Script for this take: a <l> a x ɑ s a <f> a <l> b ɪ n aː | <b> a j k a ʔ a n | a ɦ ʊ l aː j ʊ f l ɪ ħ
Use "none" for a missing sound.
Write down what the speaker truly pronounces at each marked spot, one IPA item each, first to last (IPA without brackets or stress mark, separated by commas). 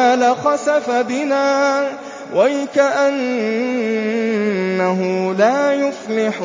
l, f, none, w